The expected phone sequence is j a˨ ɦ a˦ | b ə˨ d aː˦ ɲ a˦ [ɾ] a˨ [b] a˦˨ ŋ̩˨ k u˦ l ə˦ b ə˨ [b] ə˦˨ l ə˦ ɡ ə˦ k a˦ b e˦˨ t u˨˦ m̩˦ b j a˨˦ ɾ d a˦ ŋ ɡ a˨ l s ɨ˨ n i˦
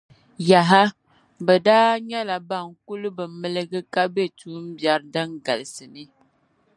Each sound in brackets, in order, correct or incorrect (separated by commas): incorrect, correct, incorrect